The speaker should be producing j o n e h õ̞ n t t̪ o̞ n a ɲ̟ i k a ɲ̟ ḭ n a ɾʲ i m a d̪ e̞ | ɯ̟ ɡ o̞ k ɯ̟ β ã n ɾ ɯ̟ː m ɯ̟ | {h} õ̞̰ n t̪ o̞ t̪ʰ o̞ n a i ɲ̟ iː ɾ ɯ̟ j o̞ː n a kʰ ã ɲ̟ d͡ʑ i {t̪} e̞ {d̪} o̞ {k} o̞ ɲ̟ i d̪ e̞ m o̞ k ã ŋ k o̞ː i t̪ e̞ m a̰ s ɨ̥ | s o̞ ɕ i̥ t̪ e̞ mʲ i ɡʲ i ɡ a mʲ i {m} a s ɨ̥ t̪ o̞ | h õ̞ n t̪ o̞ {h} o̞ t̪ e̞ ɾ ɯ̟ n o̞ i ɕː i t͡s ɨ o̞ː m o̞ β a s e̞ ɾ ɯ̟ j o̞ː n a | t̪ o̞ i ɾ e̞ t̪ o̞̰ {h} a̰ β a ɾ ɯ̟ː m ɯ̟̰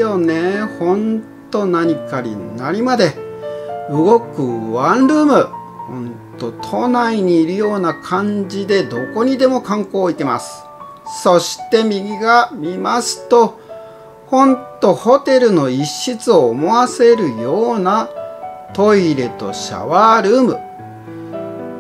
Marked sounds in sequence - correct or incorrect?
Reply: correct, incorrect, correct, correct, correct, correct, incorrect

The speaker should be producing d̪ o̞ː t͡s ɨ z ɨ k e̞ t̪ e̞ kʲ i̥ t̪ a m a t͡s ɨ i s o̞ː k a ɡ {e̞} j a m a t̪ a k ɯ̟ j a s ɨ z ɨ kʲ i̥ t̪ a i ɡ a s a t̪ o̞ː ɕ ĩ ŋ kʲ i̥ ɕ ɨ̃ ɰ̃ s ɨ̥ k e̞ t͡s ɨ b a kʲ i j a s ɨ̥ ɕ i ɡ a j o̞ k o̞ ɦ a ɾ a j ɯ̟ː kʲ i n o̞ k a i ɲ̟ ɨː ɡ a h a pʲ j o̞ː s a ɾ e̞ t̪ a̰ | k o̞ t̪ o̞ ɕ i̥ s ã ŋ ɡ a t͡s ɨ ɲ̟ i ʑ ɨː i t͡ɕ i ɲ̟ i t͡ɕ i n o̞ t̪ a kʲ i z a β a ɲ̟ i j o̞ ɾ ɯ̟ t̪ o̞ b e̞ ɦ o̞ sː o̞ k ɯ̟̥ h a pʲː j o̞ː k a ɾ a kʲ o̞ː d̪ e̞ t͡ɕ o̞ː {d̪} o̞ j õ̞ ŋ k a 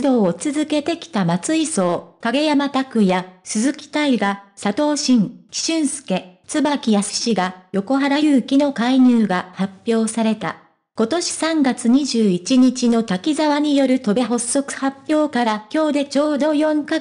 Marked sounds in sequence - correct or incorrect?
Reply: correct, correct

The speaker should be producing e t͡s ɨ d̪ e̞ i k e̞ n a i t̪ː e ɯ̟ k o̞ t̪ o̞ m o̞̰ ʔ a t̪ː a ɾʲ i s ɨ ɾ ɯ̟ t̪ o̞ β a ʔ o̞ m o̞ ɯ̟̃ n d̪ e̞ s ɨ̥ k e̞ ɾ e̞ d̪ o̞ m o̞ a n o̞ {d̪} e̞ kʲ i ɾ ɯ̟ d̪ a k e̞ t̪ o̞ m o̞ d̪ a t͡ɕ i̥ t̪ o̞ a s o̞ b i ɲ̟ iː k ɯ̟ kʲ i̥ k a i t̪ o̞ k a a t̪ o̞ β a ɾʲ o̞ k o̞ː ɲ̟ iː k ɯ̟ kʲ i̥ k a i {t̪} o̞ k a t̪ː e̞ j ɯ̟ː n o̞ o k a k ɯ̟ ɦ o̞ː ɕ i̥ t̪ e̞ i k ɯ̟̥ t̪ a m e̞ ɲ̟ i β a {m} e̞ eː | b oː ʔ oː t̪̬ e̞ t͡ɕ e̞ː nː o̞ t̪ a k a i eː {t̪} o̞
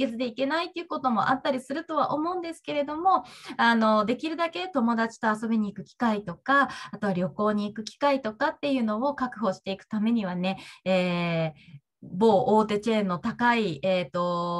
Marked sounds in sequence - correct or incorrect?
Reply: correct, correct, incorrect, correct

